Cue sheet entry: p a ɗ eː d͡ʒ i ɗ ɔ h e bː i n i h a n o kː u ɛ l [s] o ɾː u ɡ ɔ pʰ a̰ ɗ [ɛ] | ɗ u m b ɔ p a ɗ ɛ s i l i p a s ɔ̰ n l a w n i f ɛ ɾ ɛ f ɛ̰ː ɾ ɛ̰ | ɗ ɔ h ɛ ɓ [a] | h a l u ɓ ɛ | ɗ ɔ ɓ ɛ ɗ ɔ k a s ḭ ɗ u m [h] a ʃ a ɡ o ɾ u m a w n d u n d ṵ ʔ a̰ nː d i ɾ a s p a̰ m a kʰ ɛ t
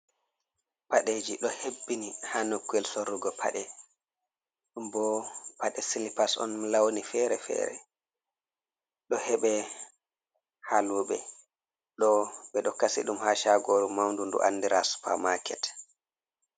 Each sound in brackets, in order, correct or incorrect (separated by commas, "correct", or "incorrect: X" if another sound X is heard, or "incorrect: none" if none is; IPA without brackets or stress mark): correct, correct, incorrect: ɛ, correct